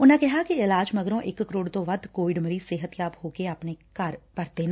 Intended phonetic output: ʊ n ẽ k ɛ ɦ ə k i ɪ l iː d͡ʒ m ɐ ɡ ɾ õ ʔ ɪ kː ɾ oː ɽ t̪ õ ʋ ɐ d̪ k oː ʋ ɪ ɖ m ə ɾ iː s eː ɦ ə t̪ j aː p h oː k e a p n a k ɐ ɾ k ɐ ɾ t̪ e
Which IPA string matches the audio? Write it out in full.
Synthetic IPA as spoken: ʊ n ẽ k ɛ ɦ a k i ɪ l aː d͡ʒ m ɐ ɡ ɾ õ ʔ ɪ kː ɾ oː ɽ t̪ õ ʋ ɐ d̪ k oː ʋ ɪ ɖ m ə ɾ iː s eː ɦ ə t̪ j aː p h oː k e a p n e k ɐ ɾ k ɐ ɾ t̪ e